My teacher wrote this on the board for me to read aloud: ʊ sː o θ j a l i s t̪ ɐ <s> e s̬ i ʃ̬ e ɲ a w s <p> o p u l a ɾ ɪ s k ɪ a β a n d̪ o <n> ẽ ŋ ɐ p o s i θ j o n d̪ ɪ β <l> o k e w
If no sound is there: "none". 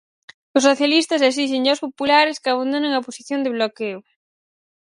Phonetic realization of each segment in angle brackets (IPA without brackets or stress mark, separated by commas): s, p, n, l